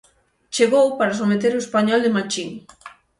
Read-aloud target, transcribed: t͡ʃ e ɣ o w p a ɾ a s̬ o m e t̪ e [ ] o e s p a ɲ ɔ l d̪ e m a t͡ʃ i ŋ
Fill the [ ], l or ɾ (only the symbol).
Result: ɾ